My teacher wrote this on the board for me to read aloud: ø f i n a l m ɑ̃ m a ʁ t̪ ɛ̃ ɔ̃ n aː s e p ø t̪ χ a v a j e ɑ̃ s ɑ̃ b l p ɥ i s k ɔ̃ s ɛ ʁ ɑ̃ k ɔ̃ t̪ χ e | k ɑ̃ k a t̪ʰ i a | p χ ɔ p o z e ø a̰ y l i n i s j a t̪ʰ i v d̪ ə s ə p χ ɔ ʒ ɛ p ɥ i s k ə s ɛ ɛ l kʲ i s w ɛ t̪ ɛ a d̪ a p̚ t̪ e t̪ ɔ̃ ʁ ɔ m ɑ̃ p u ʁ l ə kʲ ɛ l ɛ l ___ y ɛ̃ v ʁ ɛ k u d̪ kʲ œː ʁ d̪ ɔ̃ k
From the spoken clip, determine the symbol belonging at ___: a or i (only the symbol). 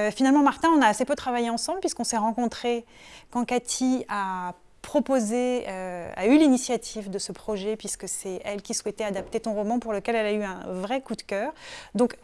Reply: a